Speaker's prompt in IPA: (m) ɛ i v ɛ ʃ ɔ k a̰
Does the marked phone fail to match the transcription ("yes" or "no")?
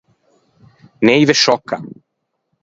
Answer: yes